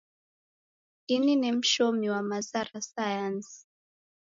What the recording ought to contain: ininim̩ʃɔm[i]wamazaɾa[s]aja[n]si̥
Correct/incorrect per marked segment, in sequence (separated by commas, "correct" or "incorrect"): correct, correct, correct